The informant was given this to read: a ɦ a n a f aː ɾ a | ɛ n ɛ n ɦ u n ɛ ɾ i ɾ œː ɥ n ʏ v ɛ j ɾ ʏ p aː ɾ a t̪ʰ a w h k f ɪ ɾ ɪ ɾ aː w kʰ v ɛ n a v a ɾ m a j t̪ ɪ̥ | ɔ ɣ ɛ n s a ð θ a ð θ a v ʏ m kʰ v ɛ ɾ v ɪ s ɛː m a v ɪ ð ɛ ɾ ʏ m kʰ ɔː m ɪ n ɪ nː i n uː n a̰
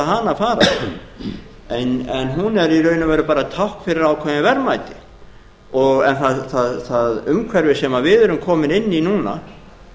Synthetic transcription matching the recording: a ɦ a n a f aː ɾ a | ɛ n ɛ n ɦ u n ɛ ɾ i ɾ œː ɥ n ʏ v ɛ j ɾ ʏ p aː ɾ a t̪ʰ a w h k f ɪ ɾ ɪ ɾ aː w kʰ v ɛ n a v ɛ ɾ m a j t̪ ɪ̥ | ɔ ɣ ɛ n θ a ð θ a ð θ a ð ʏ m kʰ v ɛ ɾ v ɪ s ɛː m a v ɪ ð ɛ ɾ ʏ m kʰ ɔː m ɪ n ɪ nː i n uː n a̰